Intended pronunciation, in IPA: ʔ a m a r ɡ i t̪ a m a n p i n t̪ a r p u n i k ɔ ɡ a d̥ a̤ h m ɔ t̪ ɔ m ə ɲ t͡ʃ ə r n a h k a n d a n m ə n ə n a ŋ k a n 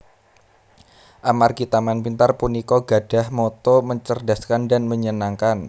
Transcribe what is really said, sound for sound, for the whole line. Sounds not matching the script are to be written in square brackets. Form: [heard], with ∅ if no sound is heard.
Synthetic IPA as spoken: ʔ a m a r ɡ i t̪ a m a n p i n t̪ a r p u n i k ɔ ɡ a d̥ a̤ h m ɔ t̪ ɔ m ə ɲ t͡ʃ ə r [d] a [s] k a n d a n m ə [ɲ] ə n a ŋ k a n